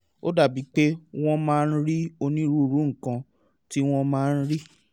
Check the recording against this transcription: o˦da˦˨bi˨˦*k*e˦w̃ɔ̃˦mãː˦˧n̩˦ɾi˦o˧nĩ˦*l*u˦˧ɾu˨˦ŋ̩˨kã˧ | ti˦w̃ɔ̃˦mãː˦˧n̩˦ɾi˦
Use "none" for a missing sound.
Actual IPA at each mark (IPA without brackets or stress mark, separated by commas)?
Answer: k͡p, ɾ